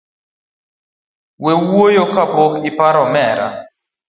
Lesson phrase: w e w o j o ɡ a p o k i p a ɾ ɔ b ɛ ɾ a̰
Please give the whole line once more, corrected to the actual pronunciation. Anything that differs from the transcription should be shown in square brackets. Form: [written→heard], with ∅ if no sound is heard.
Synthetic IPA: w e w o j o [ɡ→k] a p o k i p a ɾ ɔ [b→m] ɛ ɾ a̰